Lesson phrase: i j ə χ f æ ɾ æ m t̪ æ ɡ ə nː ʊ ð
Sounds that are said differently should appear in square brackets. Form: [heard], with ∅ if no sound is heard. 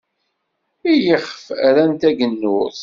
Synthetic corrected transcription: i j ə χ f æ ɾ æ [n] t̪ æ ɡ ə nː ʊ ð

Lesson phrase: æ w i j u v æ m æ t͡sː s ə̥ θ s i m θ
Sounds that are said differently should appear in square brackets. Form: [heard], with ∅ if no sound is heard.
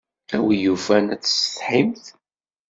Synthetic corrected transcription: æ w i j u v æ [n] æ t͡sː s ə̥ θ [ħ] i m θ

